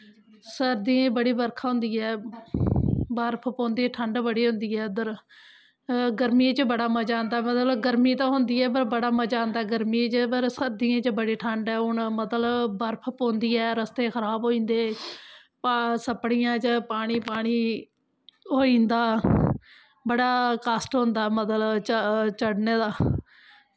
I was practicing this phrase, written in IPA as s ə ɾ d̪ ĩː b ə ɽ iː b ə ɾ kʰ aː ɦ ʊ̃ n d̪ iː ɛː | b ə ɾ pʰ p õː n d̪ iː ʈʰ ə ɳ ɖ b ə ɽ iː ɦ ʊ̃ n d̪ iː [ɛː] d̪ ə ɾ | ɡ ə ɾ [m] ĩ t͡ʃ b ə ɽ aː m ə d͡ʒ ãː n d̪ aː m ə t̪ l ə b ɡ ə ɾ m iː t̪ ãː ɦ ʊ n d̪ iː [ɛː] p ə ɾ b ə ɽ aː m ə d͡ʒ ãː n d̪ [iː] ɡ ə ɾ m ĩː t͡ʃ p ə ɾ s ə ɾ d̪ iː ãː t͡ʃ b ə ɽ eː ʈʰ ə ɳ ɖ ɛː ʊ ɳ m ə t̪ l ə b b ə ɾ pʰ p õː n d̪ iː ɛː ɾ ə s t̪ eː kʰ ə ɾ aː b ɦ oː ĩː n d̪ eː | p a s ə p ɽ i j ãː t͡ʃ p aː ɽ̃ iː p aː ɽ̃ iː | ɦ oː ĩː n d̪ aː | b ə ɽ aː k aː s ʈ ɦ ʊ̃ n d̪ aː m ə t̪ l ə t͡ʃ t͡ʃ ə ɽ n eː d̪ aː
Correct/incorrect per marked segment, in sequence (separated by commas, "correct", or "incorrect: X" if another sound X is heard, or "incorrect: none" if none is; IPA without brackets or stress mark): correct, correct, correct, incorrect: aː